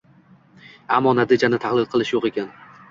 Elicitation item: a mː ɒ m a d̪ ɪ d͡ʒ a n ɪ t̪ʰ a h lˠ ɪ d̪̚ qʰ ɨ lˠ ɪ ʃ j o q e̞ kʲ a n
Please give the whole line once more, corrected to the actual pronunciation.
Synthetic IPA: a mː ɒ n a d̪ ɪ d͡ʒ a n ɪ t̪ʰ a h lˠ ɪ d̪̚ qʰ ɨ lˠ ɪ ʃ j o q e̞ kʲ a n